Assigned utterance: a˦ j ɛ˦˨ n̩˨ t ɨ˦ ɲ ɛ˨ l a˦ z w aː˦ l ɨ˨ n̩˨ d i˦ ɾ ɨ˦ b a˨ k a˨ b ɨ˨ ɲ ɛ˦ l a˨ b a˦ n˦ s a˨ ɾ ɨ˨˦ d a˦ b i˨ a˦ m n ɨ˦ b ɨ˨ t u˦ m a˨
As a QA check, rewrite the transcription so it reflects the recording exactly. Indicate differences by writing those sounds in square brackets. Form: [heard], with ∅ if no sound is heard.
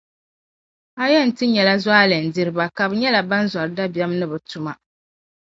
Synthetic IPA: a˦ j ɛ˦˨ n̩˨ t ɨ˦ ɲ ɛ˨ l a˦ z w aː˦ l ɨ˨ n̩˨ d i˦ ɾ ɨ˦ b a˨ k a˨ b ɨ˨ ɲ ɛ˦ l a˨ b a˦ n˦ [z] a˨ ɾ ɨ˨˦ d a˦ b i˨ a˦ m n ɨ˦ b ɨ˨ t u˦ m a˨

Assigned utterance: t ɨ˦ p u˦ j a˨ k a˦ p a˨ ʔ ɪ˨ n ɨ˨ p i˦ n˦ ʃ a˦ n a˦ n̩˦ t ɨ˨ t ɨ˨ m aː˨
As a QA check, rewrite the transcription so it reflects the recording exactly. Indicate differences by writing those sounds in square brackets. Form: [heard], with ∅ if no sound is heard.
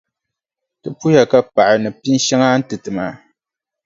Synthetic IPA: t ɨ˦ p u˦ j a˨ k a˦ p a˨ ʔ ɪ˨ n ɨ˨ p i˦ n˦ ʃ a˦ [ŋ] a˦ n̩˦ t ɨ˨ t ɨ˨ m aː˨

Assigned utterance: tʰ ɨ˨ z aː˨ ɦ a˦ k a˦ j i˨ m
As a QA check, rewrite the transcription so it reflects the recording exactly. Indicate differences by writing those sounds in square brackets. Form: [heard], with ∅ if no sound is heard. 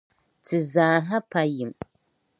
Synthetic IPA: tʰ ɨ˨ z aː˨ ɦ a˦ [p] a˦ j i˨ m

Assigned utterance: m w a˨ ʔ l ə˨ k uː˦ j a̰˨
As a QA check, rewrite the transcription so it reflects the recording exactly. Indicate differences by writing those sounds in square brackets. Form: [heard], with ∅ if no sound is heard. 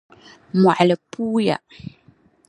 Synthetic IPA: m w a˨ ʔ l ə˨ [p] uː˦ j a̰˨

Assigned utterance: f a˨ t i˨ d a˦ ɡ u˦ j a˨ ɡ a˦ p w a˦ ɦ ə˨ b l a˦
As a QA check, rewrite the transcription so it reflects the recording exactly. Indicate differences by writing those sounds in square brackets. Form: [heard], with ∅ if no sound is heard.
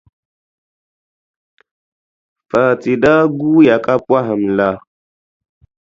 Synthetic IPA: f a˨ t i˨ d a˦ ɡ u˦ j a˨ [k] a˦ p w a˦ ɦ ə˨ [m] l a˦

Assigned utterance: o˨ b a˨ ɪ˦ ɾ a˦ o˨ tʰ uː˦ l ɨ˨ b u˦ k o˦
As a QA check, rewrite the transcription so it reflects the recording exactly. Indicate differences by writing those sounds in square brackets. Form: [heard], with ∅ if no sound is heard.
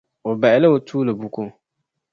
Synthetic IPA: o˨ b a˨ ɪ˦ [l] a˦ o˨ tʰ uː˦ l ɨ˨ b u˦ k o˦

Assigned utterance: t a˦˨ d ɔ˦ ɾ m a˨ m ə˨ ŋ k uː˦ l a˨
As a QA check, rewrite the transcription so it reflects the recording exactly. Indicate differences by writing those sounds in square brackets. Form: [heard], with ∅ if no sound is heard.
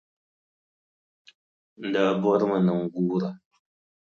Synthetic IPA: [d] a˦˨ [b] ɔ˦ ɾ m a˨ [n] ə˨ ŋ [ɡ] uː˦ [ɾ] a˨

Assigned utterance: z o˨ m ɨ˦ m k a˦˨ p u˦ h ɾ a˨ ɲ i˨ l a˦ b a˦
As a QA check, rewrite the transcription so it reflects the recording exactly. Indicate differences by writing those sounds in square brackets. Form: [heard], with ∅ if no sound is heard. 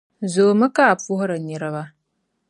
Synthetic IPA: z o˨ m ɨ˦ [∅] k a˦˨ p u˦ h ɾ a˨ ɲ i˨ [ɾ] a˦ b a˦

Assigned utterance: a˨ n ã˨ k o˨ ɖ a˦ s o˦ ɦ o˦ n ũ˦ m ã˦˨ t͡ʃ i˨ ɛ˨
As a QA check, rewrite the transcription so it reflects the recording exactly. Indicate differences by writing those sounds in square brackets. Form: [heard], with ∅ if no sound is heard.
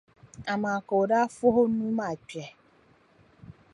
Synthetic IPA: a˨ [m] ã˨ k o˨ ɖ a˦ [f] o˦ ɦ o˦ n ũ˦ m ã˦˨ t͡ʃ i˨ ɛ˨

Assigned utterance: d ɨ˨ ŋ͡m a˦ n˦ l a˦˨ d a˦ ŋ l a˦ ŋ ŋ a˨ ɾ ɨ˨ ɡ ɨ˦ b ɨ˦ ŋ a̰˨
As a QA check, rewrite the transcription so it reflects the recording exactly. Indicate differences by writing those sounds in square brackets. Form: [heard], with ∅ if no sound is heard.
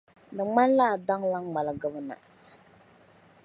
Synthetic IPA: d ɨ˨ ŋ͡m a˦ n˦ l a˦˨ d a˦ ŋ l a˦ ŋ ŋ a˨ [l] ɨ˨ ɡ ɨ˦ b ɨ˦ [n] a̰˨

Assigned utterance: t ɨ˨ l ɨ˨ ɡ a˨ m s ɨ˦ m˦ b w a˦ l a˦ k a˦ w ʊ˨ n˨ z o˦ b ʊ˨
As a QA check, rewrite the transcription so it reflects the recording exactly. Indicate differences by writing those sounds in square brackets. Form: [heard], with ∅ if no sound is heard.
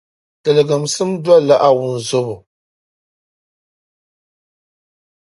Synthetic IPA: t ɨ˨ l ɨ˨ ɡ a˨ m s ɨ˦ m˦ [d] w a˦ l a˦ [ʔ] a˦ w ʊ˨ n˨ z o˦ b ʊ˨

